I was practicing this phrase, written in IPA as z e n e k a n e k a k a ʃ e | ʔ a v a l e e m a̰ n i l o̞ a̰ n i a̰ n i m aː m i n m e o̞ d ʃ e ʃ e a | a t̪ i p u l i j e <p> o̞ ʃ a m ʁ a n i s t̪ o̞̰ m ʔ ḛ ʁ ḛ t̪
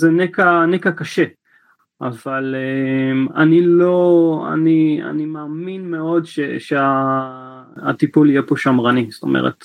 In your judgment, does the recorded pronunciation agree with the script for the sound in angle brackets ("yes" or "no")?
yes